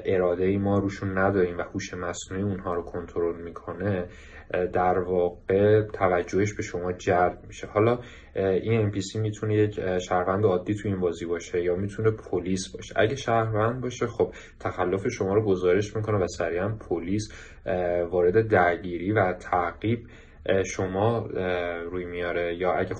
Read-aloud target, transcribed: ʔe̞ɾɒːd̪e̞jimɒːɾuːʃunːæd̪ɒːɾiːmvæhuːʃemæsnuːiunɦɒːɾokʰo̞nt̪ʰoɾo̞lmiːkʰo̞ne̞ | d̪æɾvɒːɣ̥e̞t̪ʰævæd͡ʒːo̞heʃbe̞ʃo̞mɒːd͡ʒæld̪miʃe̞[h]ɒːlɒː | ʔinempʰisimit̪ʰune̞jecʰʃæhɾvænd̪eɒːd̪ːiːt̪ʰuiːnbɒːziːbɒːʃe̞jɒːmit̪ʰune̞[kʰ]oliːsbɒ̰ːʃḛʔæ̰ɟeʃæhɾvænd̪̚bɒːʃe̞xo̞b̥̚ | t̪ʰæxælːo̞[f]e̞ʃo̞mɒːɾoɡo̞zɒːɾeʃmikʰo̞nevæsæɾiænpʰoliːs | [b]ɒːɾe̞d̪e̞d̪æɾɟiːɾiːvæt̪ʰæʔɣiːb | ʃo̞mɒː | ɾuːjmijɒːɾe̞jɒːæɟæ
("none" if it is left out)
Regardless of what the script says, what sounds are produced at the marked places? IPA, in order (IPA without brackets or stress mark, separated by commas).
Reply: h, pʰ, f, v